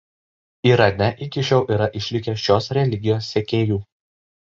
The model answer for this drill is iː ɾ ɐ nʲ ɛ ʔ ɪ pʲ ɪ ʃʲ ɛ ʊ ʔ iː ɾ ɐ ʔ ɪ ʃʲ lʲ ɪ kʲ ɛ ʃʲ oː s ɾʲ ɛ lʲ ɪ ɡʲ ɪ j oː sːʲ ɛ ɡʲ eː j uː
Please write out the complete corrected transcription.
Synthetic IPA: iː ɾ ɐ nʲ ɛ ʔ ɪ kʲ ɪ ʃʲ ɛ ʊ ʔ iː ɾ ɐ ʔ ɪ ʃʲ lʲ ɪ kʲ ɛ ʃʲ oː s ɾʲ ɛ lʲ ɪ ɡʲ ɪ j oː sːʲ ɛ kʲ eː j uː